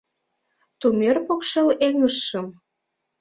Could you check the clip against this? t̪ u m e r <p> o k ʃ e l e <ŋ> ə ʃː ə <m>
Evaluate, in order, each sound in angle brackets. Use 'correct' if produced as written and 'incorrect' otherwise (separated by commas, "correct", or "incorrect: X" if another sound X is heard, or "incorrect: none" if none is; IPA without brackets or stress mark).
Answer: correct, correct, correct